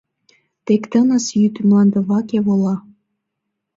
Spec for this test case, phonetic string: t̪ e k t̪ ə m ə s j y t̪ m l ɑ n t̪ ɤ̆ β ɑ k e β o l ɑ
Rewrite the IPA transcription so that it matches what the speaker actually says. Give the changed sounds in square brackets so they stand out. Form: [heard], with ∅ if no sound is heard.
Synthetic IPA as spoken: t̪ e k t̪ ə [n] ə s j y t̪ m l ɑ n [d̪] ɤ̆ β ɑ k e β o l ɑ